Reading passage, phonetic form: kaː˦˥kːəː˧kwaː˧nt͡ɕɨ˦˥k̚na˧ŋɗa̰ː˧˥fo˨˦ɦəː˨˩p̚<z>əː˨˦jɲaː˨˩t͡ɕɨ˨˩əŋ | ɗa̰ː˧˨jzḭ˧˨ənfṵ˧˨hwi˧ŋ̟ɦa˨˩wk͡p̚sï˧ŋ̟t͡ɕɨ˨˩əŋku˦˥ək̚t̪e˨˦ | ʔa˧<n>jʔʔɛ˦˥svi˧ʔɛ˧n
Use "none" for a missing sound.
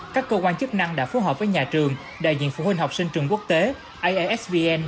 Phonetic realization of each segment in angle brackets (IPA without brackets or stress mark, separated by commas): v, none